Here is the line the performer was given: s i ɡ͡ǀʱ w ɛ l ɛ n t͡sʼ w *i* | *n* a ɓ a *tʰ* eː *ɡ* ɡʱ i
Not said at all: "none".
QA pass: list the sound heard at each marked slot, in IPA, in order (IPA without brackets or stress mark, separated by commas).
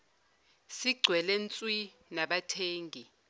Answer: i, n, tʰ, ŋ